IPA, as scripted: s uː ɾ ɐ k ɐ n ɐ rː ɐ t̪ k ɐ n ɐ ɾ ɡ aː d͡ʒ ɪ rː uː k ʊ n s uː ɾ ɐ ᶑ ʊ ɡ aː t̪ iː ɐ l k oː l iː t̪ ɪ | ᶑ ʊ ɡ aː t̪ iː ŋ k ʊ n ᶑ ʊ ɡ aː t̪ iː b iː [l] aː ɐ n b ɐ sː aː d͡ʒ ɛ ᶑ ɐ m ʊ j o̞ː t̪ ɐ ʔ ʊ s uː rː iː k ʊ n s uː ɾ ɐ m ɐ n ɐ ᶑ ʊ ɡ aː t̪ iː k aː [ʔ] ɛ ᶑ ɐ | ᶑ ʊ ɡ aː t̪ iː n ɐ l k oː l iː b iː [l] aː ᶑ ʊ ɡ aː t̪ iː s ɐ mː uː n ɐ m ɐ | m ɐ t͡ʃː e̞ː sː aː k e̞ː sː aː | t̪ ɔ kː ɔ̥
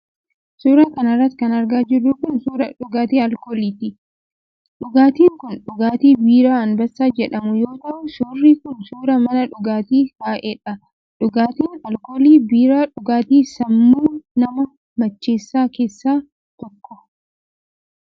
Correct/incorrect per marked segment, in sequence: incorrect: ɾ, correct, incorrect: ɾ

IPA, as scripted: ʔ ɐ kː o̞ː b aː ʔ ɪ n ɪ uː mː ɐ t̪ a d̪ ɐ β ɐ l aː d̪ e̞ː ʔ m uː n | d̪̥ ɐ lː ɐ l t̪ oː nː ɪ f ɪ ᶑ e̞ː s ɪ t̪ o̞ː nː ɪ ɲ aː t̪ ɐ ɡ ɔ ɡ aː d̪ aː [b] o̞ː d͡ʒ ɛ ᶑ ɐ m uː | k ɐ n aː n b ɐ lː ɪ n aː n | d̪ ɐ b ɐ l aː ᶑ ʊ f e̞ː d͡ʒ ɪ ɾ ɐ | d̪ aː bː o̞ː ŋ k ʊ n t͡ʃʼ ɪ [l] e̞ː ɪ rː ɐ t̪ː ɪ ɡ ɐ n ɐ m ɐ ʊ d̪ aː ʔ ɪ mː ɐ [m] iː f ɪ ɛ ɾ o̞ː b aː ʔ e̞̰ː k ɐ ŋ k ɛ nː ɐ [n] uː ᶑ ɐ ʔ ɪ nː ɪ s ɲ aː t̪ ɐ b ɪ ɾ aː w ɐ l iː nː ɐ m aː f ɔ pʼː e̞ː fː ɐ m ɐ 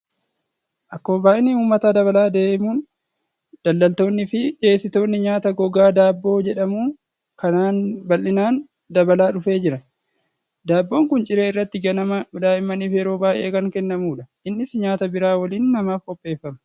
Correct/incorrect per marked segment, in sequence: incorrect: bː, incorrect: ɾ, incorrect: n, incorrect: m

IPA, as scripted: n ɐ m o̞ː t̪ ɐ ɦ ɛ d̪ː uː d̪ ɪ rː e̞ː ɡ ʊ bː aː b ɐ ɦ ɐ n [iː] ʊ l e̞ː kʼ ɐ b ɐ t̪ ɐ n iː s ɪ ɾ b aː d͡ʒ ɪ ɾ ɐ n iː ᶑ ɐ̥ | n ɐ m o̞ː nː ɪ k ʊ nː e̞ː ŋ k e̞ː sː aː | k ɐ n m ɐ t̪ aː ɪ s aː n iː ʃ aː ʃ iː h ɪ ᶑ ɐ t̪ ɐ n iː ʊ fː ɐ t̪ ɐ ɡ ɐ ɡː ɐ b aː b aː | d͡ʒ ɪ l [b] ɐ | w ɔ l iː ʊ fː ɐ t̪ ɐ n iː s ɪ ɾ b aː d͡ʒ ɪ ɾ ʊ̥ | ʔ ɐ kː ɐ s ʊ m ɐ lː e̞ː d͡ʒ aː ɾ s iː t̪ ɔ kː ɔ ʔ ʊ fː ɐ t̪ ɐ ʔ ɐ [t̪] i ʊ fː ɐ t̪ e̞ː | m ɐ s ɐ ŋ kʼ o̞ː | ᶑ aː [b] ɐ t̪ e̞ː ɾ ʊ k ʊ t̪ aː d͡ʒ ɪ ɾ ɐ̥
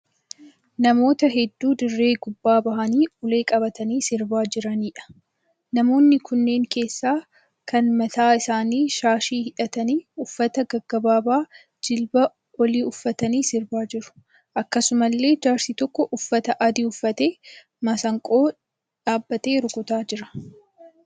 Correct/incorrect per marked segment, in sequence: correct, correct, incorrect: d̪, incorrect: bː

